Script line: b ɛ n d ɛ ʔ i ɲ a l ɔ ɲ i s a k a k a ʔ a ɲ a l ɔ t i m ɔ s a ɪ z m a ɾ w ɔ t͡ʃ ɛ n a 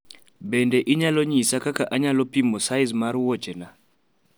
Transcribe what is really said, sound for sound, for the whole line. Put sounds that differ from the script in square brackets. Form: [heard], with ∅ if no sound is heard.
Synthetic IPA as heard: b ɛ n d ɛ ʔ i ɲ a l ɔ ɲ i s a k a k a ʔ a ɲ a l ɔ [p] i m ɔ s a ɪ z m a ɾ w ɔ t͡ʃ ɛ n a